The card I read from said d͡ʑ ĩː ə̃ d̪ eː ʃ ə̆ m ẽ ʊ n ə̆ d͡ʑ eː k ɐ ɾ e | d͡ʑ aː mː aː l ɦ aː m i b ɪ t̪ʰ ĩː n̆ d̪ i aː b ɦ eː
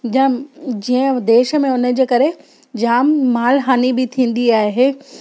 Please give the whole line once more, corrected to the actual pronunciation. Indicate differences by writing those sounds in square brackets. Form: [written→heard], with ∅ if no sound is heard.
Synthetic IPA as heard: d͡ʑ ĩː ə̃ d̪ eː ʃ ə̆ m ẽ ʊ n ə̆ d͡ʑ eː k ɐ ɾ e | d͡ʑ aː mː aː l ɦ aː [m→n] i b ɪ t̪ʰ ĩː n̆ d̪ i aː [b→∅] ɦ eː